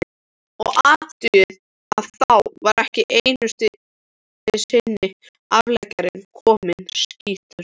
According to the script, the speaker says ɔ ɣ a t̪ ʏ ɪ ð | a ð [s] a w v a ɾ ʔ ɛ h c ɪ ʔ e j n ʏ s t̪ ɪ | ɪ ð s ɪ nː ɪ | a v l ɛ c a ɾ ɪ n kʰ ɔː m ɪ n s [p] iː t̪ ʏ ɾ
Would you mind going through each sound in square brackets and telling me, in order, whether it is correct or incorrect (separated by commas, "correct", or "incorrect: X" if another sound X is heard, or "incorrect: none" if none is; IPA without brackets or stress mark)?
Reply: incorrect: θ, incorrect: c